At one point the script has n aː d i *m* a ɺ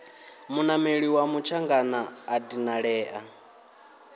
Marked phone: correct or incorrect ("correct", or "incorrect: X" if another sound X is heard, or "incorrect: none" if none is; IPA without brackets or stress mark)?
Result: incorrect: n